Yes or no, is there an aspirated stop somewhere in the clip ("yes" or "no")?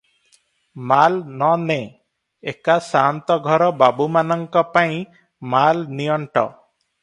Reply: no